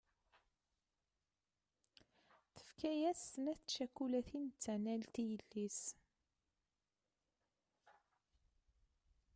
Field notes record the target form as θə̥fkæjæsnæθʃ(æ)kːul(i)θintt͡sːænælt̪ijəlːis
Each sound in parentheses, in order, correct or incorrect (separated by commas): correct, incorrect